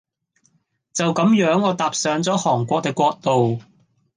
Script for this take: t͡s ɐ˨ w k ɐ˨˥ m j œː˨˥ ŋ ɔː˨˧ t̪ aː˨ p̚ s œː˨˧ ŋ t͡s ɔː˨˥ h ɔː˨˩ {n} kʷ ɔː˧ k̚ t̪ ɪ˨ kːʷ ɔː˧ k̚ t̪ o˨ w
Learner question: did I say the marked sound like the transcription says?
no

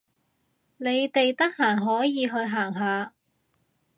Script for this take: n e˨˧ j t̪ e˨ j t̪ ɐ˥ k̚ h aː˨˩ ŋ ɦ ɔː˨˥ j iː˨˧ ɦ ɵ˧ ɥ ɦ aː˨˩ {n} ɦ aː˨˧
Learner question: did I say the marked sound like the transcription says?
no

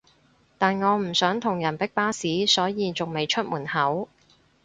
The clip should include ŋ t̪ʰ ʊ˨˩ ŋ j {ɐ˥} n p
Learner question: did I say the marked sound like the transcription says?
no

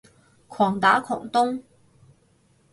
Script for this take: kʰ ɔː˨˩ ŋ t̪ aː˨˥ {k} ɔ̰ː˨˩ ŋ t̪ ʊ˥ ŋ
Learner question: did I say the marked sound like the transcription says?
no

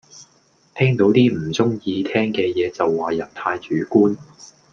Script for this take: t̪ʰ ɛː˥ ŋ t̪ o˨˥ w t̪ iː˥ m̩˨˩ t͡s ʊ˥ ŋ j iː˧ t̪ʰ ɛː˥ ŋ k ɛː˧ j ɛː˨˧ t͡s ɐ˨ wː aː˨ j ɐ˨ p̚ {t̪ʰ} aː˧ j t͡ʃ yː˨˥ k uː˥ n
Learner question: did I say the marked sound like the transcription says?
yes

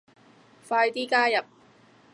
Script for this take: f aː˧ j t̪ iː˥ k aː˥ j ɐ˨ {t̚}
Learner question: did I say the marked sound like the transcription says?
no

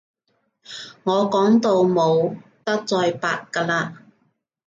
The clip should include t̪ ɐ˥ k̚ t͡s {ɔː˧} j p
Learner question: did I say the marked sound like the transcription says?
yes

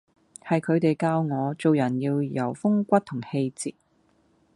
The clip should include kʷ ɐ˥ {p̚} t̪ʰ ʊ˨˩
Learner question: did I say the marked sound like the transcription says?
no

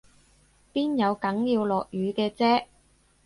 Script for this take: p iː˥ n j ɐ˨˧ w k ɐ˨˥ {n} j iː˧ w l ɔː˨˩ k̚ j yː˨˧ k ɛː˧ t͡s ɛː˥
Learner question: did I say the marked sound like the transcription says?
no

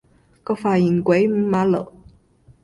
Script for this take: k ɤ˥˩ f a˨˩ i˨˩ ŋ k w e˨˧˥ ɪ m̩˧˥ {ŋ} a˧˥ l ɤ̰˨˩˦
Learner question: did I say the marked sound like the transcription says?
no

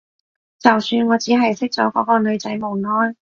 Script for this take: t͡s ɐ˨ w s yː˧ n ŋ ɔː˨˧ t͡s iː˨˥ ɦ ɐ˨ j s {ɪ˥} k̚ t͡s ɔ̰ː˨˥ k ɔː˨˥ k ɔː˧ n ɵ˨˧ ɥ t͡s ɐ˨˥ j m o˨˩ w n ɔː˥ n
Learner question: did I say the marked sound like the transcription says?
yes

